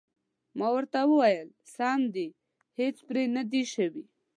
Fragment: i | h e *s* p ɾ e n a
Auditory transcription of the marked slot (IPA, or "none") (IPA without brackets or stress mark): t͡s